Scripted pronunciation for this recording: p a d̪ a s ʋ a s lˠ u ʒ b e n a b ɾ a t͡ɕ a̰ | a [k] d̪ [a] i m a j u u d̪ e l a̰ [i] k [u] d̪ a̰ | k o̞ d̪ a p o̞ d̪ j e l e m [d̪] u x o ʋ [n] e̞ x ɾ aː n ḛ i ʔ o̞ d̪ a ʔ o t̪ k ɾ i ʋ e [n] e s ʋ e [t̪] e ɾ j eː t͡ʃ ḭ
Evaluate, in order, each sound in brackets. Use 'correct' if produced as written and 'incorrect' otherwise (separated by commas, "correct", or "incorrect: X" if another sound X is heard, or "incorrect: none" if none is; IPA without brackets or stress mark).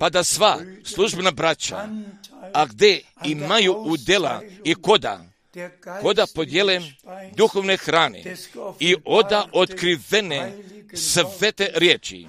incorrect: ɡ, incorrect: e, correct, incorrect: o, correct, correct, correct, correct